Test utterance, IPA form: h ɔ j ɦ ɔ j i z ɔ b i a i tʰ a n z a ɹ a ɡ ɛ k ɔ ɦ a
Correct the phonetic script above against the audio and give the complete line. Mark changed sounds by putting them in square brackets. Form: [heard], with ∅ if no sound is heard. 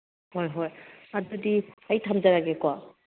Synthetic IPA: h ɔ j ɦ ɔ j [a] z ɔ [d] i a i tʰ a [m] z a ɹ a ɡ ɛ k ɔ [∅] a